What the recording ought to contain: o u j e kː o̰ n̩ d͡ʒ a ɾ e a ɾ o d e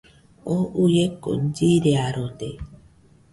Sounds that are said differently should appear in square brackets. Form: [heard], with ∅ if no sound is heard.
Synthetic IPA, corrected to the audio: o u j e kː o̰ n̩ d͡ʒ [i] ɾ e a ɾ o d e